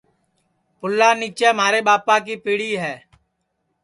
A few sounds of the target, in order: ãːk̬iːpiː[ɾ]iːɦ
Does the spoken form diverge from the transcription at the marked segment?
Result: yes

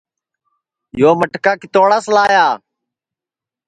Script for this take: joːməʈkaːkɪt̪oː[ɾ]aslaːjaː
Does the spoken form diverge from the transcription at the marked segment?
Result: yes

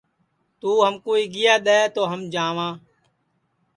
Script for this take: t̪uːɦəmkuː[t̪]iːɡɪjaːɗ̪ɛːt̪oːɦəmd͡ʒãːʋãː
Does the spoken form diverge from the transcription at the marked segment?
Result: yes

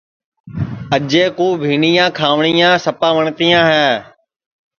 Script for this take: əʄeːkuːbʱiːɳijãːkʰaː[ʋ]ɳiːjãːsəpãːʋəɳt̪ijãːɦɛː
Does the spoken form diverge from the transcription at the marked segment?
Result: no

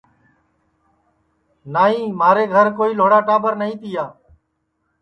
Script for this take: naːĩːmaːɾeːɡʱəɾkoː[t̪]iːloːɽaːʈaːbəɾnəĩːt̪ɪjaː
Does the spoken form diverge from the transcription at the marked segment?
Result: yes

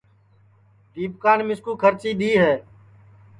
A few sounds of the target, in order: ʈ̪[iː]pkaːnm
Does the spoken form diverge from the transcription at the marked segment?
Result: no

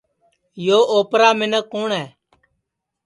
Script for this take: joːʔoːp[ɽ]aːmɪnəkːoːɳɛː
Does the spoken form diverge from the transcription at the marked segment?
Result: yes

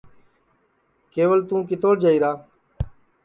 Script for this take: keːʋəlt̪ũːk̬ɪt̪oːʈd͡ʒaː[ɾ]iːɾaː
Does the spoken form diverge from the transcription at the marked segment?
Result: yes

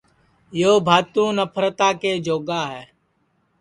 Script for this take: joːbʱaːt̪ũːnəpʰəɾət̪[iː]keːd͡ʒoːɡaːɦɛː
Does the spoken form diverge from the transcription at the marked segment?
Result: yes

